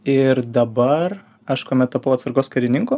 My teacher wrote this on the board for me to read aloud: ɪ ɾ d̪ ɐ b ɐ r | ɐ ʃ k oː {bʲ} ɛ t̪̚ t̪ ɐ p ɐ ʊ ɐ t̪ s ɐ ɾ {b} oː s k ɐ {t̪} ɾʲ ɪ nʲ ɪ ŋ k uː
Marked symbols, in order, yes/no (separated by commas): no, no, no